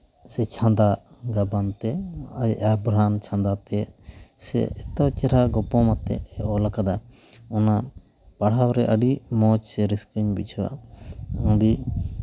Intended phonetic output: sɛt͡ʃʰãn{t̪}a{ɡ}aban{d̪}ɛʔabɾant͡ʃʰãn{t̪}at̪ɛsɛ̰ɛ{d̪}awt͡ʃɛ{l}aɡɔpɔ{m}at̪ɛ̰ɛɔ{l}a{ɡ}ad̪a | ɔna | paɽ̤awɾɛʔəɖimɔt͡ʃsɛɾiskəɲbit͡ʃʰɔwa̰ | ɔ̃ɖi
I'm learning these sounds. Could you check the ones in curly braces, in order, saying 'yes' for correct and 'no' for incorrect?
no, yes, no, no, no, no, yes, yes, no

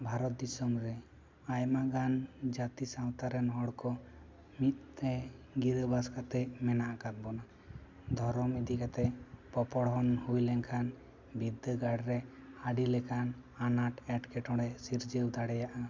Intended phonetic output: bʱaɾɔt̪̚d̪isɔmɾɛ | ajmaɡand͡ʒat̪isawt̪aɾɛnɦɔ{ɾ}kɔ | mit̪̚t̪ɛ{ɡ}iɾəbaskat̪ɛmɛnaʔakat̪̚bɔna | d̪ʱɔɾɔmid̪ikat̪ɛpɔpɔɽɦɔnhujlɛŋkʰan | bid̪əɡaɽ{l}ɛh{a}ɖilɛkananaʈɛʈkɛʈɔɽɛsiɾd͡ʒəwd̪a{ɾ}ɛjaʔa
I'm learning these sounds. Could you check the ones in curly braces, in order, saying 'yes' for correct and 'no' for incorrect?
no, yes, no, yes, no

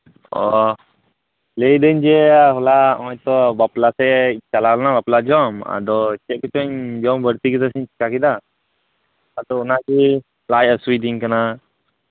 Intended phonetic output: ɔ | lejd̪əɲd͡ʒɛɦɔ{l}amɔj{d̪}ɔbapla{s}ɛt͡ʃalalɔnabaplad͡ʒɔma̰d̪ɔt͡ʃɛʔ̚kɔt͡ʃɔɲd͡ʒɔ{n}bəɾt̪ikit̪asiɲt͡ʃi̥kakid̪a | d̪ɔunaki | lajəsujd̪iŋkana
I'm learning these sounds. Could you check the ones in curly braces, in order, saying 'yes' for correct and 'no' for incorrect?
yes, no, yes, no

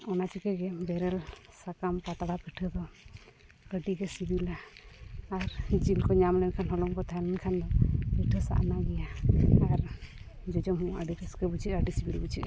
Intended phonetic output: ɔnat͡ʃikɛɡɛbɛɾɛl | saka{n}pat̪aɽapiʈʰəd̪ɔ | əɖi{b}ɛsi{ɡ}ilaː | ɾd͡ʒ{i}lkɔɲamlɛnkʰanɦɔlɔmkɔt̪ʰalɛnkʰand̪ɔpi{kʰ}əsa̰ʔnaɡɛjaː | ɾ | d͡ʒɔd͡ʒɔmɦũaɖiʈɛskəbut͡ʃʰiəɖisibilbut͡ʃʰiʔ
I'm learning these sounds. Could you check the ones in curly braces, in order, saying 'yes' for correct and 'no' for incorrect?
no, no, no, yes, no

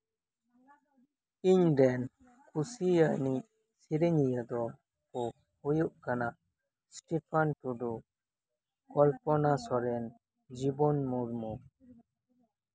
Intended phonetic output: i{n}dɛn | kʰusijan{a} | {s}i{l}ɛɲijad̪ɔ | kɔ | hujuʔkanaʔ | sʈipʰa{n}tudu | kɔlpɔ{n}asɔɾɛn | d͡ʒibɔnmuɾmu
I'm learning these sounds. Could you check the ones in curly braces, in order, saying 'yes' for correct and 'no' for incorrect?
no, no, yes, no, yes, yes

